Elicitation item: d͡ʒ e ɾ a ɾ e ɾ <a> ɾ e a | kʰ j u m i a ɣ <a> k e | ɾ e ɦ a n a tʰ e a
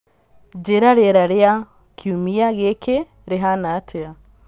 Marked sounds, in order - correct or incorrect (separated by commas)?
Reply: correct, incorrect